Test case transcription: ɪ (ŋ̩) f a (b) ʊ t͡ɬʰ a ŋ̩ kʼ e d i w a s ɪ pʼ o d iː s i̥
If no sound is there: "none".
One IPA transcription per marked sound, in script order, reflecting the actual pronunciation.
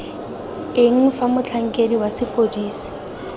ŋ̩, m

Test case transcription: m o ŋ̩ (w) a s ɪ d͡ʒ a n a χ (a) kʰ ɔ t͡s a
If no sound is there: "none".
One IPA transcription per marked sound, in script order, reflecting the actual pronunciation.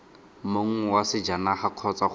w, a

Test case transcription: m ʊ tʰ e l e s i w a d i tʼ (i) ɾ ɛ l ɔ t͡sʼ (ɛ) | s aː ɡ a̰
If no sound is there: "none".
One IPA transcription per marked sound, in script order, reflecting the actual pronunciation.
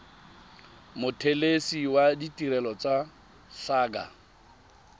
i, a

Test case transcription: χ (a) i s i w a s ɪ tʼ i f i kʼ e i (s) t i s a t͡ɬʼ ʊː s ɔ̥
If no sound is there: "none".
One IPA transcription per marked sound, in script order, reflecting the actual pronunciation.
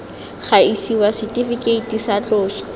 a, none

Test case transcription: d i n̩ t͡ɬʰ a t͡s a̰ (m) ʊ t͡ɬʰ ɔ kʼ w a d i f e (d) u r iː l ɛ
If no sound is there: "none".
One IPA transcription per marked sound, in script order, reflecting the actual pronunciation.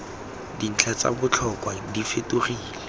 b, t

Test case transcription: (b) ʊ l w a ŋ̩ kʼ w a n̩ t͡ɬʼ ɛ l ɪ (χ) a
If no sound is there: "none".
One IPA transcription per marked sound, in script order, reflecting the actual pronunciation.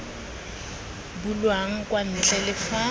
b, f

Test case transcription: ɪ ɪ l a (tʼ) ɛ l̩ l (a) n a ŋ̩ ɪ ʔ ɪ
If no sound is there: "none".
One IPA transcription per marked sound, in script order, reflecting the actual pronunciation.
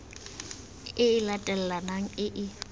tʼ, a

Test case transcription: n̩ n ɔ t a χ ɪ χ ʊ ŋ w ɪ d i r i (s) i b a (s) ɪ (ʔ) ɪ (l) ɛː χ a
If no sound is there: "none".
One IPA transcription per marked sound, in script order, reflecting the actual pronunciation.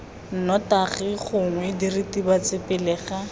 t, t͡s, p, l

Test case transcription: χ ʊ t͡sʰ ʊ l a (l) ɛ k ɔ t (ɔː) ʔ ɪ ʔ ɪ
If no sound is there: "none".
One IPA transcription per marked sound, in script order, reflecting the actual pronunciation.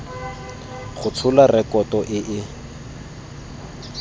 r, ɔ

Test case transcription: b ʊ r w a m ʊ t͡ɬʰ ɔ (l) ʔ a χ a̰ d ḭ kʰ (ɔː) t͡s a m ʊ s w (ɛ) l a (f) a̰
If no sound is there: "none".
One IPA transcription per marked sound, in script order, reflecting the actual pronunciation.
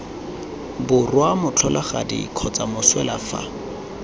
l, ɔ, ɛ, f

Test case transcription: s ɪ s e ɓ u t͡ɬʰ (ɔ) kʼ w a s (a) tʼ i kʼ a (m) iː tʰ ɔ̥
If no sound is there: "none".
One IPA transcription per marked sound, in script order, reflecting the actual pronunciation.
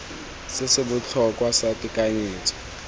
ɔ, a, ɲ

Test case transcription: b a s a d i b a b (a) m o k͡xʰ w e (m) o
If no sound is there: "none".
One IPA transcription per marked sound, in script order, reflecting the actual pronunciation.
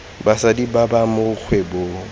a, b

